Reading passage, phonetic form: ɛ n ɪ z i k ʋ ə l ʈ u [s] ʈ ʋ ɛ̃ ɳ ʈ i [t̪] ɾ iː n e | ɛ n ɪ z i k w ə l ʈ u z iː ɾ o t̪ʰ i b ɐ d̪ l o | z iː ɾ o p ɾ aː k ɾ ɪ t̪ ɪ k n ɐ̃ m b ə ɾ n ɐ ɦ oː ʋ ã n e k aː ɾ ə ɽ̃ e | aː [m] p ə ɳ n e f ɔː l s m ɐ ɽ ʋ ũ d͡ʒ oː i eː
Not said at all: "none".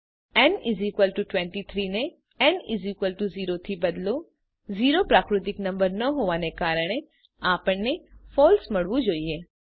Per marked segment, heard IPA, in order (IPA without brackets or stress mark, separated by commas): none, t̪ʰ, none